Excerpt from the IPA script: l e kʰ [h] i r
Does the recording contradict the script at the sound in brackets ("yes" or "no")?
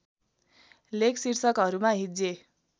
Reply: yes